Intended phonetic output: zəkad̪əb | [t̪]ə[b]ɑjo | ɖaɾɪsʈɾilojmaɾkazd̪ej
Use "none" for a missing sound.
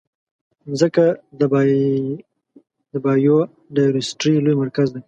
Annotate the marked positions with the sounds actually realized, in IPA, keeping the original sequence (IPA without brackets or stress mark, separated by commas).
d̪, b